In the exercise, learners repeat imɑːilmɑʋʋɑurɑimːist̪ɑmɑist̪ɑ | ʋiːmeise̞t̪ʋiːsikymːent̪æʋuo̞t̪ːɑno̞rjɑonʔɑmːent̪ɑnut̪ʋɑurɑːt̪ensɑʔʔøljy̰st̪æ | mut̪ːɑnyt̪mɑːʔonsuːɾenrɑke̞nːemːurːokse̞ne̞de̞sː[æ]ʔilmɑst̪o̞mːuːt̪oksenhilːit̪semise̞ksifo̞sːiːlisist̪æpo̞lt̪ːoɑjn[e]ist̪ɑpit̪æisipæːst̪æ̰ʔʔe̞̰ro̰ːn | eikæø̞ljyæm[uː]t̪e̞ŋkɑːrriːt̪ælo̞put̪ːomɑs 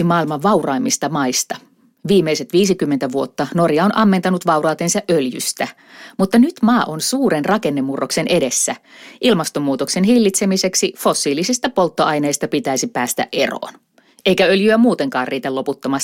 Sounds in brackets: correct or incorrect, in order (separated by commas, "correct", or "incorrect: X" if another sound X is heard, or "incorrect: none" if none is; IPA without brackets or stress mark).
correct, correct, correct